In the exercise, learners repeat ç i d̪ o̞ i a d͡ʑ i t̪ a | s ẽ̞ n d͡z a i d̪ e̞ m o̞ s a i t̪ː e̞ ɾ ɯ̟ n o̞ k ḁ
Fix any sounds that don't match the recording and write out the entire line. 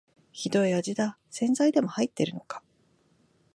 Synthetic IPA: ç i d̪ o̞ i a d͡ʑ i d̪ a | s ẽ̞ n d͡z a i d̪ e̞ m o̞ h a i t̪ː e̞ ɾ ɯ̟ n o̞ k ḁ